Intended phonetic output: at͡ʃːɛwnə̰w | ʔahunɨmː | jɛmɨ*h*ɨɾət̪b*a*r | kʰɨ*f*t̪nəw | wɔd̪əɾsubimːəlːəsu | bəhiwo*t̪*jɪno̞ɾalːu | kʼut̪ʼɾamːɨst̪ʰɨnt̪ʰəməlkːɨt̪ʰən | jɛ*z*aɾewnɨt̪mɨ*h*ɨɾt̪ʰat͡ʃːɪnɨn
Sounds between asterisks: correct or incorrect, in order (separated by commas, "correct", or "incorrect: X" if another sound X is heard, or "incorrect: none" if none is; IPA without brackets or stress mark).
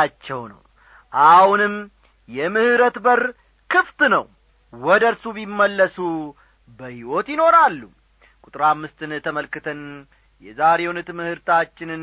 correct, incorrect: ə, correct, correct, correct, correct